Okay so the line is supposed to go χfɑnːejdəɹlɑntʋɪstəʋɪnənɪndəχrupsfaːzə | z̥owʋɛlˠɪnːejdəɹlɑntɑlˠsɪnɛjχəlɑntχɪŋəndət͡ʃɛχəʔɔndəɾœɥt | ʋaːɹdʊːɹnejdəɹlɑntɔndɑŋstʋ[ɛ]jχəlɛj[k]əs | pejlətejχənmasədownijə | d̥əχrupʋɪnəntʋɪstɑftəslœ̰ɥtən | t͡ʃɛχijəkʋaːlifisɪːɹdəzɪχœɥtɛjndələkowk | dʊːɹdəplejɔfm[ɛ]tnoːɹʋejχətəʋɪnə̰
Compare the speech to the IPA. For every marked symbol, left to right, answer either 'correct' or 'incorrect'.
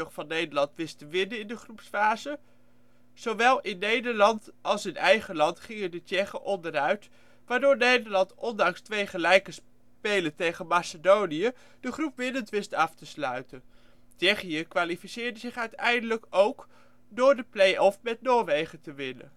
incorrect, correct, correct

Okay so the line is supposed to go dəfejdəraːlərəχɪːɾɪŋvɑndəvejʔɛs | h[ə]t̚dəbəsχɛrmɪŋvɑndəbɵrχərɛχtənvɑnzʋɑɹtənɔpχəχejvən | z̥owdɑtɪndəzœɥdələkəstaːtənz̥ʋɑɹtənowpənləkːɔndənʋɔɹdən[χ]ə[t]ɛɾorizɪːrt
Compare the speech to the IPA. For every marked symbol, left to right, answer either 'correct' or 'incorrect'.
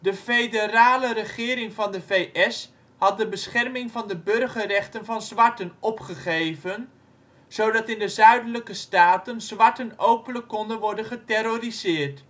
incorrect, correct, correct

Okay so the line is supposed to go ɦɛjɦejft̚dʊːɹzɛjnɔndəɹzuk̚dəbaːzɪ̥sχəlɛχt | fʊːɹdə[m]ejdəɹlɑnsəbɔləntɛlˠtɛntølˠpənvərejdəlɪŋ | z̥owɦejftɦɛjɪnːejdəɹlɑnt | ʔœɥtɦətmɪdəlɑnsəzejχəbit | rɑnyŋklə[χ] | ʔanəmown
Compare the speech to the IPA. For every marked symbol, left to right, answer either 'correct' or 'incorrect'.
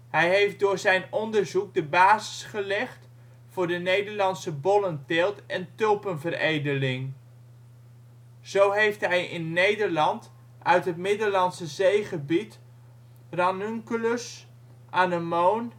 incorrect, incorrect

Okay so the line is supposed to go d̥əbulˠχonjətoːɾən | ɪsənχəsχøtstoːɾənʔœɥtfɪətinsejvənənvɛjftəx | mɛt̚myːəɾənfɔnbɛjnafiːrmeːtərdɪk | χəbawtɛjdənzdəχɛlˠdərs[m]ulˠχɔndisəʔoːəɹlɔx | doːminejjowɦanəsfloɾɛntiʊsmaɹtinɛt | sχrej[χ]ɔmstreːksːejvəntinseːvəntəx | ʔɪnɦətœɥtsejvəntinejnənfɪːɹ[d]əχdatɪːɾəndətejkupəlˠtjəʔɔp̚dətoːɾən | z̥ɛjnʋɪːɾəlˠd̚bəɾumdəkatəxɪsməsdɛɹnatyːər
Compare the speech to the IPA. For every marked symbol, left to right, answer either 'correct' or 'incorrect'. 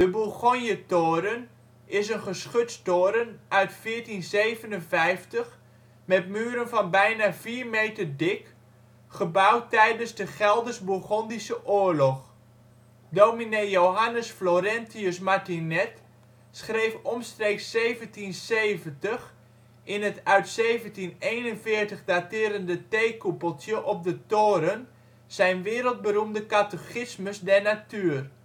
incorrect, incorrect, incorrect

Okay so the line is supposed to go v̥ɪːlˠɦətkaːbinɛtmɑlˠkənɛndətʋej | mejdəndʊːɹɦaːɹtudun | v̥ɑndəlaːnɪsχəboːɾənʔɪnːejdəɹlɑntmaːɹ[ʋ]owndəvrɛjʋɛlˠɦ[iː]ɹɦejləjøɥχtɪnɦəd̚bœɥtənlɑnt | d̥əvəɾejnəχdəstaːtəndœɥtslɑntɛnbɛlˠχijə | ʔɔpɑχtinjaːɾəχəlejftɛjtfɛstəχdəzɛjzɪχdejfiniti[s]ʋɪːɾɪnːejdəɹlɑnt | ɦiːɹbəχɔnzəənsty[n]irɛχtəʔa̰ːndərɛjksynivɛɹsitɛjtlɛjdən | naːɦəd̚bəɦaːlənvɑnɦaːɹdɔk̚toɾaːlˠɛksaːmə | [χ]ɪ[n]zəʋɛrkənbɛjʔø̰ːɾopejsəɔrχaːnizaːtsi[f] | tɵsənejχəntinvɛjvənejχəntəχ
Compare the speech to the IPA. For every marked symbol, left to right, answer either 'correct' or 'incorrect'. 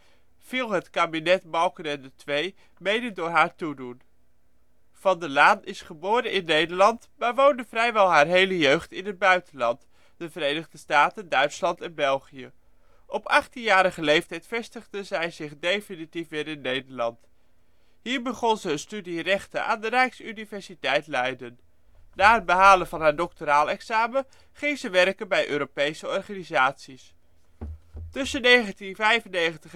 correct, incorrect, incorrect, incorrect, correct, incorrect, incorrect

